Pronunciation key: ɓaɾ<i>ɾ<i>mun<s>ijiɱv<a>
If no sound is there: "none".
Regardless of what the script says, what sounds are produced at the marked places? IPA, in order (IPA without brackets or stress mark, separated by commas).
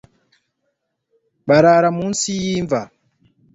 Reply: a, a, s, a